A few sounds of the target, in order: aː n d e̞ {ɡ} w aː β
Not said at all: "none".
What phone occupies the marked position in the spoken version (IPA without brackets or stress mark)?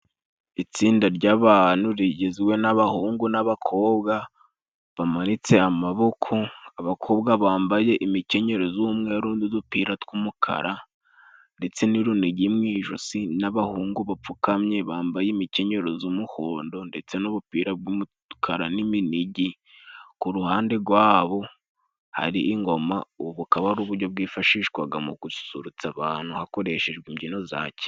ɡ